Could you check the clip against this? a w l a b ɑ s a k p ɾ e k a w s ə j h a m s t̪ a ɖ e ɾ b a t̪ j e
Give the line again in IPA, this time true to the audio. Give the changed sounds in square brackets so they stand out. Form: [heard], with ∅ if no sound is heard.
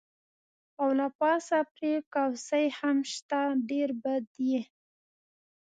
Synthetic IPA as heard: a w l a [p] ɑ s a [∅] p ɾ e k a w s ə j h a m [ʃ] t̪ a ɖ e ɾ b a [d̪] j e